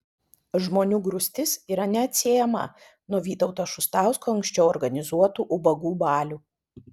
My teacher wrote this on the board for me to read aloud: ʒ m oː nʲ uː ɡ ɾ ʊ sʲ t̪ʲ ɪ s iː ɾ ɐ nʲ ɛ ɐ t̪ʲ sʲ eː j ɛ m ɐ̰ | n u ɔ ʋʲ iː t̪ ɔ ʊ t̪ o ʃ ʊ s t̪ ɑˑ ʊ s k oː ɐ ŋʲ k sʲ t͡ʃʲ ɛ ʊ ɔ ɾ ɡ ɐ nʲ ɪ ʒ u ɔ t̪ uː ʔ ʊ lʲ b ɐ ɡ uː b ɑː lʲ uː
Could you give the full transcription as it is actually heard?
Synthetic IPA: ʒ m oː nʲ uː ɡ ɾ ʊ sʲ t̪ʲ ɪ s iː ɾ ɐ nʲ ɛ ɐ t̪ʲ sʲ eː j ɛ m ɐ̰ | n u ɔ ʋʲ iː t̪ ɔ ʊ t̪ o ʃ ʊ s t̪ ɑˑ ʊ s k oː ɐ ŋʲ k sʲ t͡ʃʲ ɛ ʊ ɔ ɾ ɡ ɐ nʲ ɪ z u ɔ t̪ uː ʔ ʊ b ɐ ɡ uː b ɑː lʲ uː

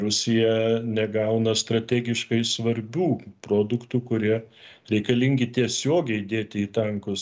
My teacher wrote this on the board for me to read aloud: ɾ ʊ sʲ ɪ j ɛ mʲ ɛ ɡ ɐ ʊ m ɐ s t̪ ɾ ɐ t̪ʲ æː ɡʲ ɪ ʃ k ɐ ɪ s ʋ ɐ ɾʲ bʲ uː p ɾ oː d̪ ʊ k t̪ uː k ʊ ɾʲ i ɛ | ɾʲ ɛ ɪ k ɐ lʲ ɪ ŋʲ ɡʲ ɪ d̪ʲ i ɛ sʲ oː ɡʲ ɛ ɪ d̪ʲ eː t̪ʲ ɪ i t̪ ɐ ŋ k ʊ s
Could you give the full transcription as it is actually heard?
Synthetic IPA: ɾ ʊ sʲ ɪ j ɛ nʲ ɛ ɡ ɐ ʊ n ɐ s t̪ ɾ ɐ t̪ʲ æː ɡʲ ɪ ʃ k ɐ ɪ s ʋ ɐ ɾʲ bʲ uː p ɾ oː d̪ ʊ k t̪ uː k ʊ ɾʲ i ɛ | ɾʲ ɛ ɪ k ɐ lʲ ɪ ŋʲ ɡʲ ɪ t̪ʲ i ɛ sʲ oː ɡʲ ɛ ɪ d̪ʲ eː t̪ʲ ɪ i t̪ ɐ ŋ k ʊ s

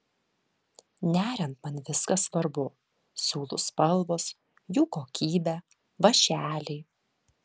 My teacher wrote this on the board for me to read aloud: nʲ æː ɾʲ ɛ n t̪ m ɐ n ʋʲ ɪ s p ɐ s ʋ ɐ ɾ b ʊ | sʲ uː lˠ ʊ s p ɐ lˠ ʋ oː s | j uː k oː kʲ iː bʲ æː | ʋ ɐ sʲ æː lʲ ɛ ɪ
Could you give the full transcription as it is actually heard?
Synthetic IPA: nʲ æː ɾʲ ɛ n t̪ m ɐ n ʋʲ ɪ s k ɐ s ʋ ɐ ɾ b ʊ | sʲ uː lˠ ʊ s p ɐ lˠ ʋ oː s | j uː k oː kʲ iː bʲ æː | ʋ ɐ ʃʲ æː lʲ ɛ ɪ

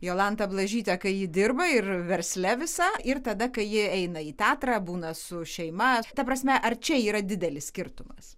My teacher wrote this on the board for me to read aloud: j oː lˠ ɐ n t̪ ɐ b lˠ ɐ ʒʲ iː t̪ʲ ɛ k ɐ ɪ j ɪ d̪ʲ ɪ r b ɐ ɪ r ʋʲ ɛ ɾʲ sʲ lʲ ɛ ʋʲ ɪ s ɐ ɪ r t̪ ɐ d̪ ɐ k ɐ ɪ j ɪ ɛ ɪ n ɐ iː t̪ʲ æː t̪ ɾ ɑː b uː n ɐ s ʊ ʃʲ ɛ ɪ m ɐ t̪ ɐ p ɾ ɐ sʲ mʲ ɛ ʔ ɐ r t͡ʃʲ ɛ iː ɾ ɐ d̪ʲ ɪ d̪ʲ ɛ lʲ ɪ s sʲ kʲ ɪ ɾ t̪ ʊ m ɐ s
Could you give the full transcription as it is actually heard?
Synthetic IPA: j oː lˠ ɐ n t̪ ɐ b lˠ ɐ ʒʲ iː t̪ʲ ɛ k ɐ ɪ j ɪ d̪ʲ ɪ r b ɐ ɪ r ʋʲ ɛ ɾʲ sʲ lʲ ɛ ʋʲ ɪ s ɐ ɪ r t̪ ɐ d̪ ɐ k ɐ ɪ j ɪ ɛ ɪ n ɐ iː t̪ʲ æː t̪ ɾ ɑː b uː n ɐ s ʊ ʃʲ ɛ ɪ m ɐ t̪ ɐ p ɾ ɐ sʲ mʲ ɛ ʔ ɐ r t͡ʃʲ ɛ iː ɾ ɐ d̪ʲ ɪ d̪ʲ ɛ lʲ ɪ s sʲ kʲ ɪ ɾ t̪ ʊ m ɐ s

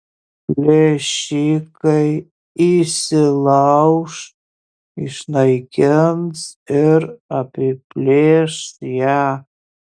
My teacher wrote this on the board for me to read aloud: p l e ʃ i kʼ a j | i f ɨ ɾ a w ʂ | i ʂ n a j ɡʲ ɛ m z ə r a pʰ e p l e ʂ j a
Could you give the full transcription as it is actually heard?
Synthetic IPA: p l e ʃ i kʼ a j | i s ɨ l a w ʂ | i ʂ n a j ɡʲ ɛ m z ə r a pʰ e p l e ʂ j a

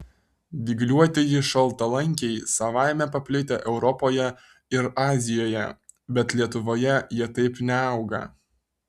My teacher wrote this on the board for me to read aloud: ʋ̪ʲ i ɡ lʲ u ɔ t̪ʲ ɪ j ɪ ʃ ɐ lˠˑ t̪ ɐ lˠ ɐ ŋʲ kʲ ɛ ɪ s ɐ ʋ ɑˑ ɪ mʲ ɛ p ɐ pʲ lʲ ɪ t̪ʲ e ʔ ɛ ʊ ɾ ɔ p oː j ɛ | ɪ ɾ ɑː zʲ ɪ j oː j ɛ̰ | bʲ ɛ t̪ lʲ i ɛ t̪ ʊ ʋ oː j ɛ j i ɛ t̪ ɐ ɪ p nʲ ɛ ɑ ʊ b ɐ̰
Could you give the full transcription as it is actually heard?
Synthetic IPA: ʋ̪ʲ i ɡ lʲ u ɔ t̪ʲ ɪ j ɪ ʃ ɐ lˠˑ t̪ ɐ lˠ ɐ ŋʲ kʲ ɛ ɪ s ɐ ʋ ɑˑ ɪ mʲ ɛ p ɐ pʲ lʲ ɪ t̪ʲ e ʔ ɛ ʊ ɾ ɔ p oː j ɛ | ɪ ɾ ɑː zʲ ɪ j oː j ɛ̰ | bʲ ɛ t̪ lʲ i ɛ t̪ ʊ ʋ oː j ɛ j i ɛ t̪ ɐ ɪ p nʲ ɛ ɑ ʊ ɡ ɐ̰

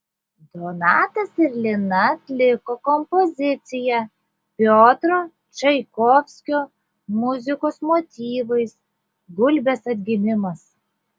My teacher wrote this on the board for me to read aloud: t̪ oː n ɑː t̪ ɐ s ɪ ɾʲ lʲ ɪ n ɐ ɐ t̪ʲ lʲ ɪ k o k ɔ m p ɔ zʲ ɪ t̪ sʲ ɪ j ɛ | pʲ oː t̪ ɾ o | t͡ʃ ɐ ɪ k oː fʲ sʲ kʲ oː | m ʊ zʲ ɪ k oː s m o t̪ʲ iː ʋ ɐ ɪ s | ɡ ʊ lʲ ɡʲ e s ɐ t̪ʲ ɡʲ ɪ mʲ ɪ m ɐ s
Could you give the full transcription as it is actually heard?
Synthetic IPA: d̪ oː n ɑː t̪ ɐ s ɪ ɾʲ lʲ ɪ n ɐ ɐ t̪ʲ lʲ ɪ k o k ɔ m p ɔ zʲ ɪ t̪ sʲ ɪ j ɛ | pʲ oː t̪ ɾ o | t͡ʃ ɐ ɪ k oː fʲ sʲ kʲ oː | m ʊ zʲ ɪ k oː s m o t̪ʲ iː ʋ ɐ ɪ s | ɡ ʊ lʲ bʲ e s ɐ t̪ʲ ɡʲ ɪ mʲ ɪ m ɐ s

